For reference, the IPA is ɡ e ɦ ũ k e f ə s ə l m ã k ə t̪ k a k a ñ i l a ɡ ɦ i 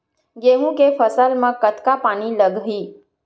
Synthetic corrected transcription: ɡ e ɦ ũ k e f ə s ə l m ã k ə t̪ k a p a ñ i l ə ɡ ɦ i

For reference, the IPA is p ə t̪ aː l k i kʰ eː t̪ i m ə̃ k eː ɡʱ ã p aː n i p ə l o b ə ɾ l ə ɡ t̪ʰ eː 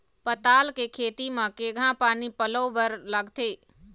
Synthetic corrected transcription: p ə t̪ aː l k e kʰ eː t̪ i m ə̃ k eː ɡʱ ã p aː n i p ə l o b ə ɾ l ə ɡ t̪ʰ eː

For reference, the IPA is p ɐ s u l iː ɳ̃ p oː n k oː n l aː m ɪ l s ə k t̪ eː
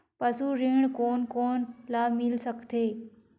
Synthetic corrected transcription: p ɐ s u ɾ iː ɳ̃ k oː n k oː n l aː m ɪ l s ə k t̪ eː

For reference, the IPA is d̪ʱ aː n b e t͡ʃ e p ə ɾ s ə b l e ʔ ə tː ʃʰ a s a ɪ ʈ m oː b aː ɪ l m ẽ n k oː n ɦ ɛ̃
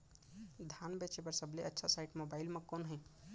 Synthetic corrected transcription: d̪ʱ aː n b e t͡ʃ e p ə ɾ s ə b l e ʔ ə tː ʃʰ a s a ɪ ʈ m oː b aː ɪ l m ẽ k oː n ɦ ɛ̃

